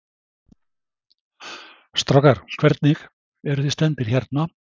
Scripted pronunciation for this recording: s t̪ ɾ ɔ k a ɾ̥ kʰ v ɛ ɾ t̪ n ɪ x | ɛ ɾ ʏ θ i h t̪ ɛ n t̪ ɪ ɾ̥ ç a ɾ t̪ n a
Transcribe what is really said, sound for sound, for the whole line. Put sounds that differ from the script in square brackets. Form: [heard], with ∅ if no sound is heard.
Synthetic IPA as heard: s t̪ ɾ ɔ k a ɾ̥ kʰ v ɛ ɾ t̪ n ɪ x | ɛ ɾ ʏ θ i [s] t̪ ɛ n t̪ ɪ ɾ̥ ç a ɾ t̪ n a